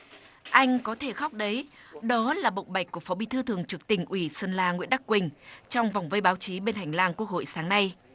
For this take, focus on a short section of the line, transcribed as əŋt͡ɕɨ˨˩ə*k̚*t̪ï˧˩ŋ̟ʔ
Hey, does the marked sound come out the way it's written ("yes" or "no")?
yes